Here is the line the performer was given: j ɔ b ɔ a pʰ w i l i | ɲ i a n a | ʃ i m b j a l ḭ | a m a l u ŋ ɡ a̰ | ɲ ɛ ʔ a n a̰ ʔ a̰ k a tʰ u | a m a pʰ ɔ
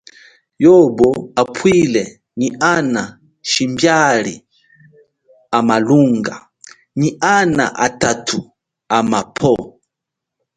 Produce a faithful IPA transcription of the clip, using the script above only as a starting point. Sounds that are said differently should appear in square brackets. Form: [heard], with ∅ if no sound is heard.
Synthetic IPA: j ɔ b ɔ a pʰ w i l [ɛ] | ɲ i a n a | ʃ i m b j a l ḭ | a m a l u ŋ ɡ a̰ | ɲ [i] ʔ a n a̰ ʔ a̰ [t] a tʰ u | a m a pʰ ɔ